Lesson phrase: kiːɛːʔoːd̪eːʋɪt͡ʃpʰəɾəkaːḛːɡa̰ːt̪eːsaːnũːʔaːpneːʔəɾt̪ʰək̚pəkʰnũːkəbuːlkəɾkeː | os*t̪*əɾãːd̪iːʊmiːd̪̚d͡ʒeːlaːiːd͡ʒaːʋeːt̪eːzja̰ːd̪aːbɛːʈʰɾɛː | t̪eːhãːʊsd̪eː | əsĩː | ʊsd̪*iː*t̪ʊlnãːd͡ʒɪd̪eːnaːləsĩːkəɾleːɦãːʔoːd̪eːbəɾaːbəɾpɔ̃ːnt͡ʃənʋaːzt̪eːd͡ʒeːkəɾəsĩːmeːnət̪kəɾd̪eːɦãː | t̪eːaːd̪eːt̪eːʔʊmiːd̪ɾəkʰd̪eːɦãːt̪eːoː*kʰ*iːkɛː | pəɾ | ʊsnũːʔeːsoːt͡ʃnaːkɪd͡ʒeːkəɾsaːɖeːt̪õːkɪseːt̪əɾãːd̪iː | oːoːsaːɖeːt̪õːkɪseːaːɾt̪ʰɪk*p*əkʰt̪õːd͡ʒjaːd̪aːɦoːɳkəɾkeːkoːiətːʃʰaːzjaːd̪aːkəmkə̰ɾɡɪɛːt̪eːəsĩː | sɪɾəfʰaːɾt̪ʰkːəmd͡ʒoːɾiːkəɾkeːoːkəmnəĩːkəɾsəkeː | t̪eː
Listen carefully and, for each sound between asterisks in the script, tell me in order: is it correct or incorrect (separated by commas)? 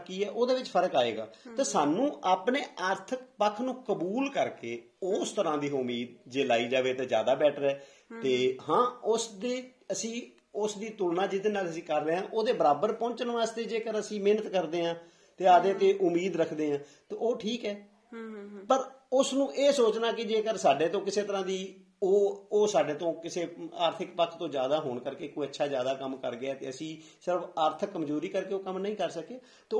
correct, correct, incorrect, correct